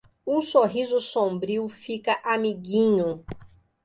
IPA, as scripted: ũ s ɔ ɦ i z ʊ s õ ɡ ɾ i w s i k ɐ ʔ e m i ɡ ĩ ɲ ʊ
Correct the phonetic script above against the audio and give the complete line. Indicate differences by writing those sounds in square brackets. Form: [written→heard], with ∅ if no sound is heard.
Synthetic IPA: ũ s [ɔ→o] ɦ i z ʊ s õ [ɡ→b] ɾ i w [s→f] i k ɐ ʔ [e→a] m i ɡ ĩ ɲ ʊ